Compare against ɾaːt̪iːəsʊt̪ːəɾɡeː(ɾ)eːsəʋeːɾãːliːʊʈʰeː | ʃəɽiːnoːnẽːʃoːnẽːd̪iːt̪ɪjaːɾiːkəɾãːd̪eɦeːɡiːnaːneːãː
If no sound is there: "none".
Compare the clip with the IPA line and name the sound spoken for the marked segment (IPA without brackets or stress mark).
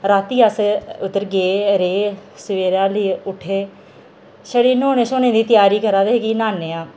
ɾ